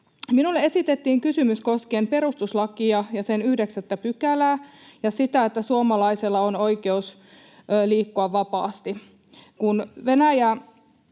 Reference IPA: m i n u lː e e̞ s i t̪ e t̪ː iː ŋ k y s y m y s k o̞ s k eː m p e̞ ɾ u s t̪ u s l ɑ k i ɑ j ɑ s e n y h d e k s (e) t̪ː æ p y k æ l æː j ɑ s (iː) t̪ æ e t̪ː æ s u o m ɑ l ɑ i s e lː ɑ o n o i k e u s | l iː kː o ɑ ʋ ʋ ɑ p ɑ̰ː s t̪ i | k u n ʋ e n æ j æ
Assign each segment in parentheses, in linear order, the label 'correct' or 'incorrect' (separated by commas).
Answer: incorrect, incorrect